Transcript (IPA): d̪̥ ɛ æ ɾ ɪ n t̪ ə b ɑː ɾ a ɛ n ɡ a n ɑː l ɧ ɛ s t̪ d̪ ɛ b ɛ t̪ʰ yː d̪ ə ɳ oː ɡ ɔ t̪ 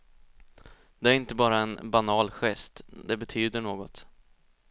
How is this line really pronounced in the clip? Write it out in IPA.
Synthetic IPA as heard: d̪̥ ɛ æ ɾ ɪ n t̪ ə b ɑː ɾ a ɛ n b a n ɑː l ɧ ɛ s t̪ d̪ ɛ b ɛ t̪ʰ yː d̪ ə ɳ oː ɡ ɔ t̪